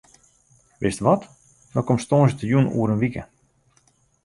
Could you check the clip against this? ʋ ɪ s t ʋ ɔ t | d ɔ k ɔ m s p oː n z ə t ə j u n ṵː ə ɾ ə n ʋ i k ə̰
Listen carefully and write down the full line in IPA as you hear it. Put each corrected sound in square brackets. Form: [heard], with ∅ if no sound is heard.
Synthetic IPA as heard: ʋ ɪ s t ʋ ɔ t | d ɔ k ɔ m s [t] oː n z ə t ə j u n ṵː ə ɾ ə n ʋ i k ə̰